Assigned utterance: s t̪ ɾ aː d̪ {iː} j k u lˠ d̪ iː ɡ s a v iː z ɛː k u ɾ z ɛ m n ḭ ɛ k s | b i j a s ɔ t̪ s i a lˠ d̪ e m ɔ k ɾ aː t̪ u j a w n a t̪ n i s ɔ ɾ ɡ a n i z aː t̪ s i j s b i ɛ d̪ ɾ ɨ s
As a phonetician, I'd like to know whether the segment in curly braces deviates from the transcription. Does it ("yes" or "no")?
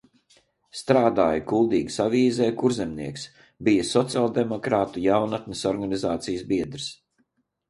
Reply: yes